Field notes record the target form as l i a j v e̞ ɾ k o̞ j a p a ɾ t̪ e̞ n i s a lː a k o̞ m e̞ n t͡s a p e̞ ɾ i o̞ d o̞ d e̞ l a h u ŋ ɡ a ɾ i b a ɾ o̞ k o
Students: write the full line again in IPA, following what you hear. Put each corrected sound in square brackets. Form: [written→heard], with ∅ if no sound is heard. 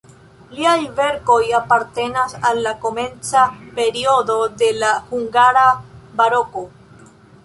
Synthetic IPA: l i a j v e̞ ɾ k o̞ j a p a ɾ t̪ e̞ n [i→a] s a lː a k o̞ m e̞ n t͡s a p e̞ ɾ i o̞ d o̞ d e̞ l a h u ŋ ɡ a ɾ [i→a] b a ɾ o̞ k o